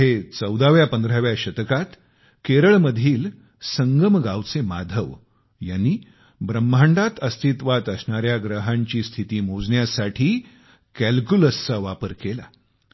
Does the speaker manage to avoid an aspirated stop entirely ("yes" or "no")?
no